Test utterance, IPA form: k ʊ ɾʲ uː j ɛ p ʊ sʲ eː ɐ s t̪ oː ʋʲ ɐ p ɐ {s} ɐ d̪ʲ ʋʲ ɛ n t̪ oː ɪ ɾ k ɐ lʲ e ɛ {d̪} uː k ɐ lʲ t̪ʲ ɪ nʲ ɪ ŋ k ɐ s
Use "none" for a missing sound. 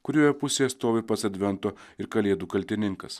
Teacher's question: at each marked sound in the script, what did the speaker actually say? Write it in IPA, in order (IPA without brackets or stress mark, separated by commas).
s, d̪